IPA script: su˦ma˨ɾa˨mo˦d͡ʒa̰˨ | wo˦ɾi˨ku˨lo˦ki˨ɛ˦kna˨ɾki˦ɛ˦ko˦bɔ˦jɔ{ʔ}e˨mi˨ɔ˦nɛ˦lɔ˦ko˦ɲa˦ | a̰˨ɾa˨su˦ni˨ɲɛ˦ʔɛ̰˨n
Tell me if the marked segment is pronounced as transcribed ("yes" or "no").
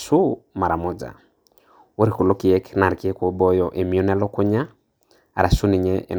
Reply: yes